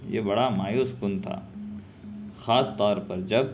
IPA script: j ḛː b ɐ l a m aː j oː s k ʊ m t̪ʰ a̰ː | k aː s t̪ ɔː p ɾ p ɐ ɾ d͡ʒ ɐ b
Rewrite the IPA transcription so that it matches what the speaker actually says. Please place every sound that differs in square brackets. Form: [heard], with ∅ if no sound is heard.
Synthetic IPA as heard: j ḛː b ɐ [ɽ] a m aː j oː s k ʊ [n] t̪ʰ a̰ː | [x] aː s t̪ ɔː [∅] ɾ p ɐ ɾ d͡ʒ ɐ b